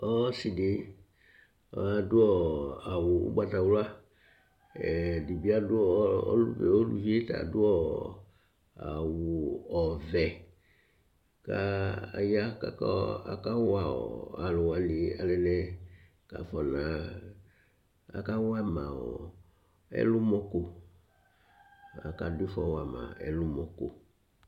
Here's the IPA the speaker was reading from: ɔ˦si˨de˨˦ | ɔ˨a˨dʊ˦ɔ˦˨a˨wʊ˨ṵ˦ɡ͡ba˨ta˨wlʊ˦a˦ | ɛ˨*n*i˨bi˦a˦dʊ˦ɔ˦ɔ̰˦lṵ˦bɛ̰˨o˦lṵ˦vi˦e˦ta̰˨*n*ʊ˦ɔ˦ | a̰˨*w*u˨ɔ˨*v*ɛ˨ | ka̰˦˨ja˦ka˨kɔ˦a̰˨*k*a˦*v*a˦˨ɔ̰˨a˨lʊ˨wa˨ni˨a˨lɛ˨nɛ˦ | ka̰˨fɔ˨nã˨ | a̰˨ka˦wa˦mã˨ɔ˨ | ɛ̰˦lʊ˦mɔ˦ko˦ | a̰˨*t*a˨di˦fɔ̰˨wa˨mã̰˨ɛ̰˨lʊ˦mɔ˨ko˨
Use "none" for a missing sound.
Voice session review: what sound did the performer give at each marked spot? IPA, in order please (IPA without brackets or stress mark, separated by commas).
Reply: d, d, w, v, k, w, k